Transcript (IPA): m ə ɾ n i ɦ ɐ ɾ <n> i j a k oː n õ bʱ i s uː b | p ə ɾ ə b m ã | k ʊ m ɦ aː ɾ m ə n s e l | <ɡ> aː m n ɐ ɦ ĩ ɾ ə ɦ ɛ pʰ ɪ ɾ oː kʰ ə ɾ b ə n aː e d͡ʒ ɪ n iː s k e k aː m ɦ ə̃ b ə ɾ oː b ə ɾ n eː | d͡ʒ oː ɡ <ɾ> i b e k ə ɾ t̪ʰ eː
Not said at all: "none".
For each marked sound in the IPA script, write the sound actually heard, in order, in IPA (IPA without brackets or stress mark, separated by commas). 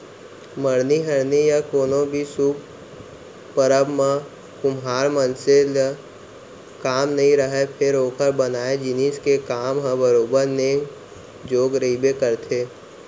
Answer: n, k, ɾ